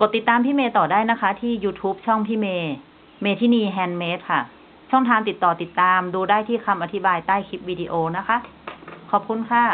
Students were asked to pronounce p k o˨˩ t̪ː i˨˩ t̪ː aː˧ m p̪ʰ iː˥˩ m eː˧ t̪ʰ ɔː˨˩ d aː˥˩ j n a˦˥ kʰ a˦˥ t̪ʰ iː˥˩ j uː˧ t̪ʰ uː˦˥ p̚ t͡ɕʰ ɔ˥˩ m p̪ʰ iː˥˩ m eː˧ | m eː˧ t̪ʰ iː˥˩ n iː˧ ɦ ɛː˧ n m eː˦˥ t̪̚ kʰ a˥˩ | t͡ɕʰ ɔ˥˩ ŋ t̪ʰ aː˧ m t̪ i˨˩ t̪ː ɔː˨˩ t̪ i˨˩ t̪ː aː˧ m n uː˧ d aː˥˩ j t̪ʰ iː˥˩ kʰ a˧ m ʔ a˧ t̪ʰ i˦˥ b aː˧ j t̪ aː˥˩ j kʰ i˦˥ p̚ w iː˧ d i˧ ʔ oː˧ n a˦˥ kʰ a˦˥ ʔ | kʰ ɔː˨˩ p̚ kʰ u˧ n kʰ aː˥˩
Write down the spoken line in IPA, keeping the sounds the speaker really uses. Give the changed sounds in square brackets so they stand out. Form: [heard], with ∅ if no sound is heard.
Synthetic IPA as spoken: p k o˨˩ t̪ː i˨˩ t̪ː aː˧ m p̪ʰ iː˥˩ m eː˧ [t̪] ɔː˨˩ d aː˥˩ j n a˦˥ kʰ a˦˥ t̪ʰ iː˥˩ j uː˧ t̪ʰ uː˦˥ p̚ t͡ɕʰ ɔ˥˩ [ŋ] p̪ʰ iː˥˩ m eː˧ | m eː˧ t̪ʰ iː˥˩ n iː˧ ɦ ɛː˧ n m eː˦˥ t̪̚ kʰ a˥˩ | t͡ɕʰ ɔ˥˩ ŋ t̪ʰ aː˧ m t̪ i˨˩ t̪ː ɔː˨˩ t̪ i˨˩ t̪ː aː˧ m [d] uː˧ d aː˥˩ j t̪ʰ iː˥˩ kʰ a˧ m ʔ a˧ t̪ʰ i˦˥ b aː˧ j t̪ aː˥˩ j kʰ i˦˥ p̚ w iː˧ d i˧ ʔ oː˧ n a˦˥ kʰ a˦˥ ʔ | kʰ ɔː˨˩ p̚ kʰ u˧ n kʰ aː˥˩

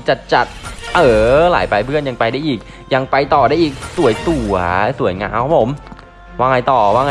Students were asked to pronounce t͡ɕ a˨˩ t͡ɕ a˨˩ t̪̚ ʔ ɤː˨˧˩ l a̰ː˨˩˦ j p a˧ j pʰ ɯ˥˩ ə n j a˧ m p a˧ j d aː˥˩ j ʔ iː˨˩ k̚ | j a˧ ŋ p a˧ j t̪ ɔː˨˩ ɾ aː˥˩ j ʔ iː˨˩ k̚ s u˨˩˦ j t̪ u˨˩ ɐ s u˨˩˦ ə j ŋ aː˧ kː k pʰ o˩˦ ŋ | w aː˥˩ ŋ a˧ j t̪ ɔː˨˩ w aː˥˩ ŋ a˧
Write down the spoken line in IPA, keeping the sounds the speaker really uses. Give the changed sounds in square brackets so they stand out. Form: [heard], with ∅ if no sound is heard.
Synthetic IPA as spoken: t͡ɕ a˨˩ t͡ɕ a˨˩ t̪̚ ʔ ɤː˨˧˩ l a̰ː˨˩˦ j p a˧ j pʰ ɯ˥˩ ə n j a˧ [ŋ] p a˧ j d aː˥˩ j ʔ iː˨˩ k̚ | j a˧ ŋ p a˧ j t̪ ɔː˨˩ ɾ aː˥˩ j ʔ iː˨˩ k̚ s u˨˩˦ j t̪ u˨˩ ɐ s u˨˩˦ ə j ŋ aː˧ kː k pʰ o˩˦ [m] | w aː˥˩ ŋ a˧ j t̪ ɔː˨˩ w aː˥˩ ŋ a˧

